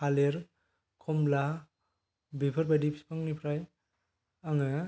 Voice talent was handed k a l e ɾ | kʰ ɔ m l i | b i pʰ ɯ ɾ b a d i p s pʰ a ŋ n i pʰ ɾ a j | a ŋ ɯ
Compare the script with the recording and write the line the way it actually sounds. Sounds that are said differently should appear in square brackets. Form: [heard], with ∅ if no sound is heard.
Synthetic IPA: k a l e ɾ | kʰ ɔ m l [a] | b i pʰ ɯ ɾ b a d i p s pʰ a ŋ n i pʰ ɾ a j | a ŋ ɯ